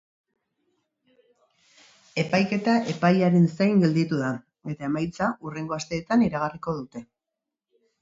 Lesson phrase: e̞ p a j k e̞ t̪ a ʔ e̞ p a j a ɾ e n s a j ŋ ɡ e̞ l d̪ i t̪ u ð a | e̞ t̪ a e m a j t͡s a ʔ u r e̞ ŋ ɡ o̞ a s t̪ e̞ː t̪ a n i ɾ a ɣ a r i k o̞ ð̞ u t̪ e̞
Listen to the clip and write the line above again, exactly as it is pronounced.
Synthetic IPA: e̞ p a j k e̞ t̪ a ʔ e̞ p a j a ɾ e n s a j ŋ ɡ e̞ l d̪ i t̪ u ð a | e̞ t̪ a e m a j t͡s a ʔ u r e̞ ŋ ɡ o̞ a s t̪ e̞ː t̪ a n i ɾ a ɣ a r i k o̞ ð̞ u t̪ e̞